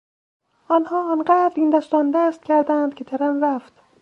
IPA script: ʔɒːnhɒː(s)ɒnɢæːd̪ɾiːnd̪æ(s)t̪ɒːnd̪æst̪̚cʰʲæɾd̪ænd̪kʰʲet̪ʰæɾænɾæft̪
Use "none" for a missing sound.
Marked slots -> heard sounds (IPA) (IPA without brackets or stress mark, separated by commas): none, s